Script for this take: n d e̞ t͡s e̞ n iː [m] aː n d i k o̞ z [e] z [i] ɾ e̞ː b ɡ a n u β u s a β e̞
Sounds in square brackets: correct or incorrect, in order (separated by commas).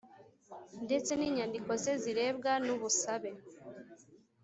incorrect, correct, correct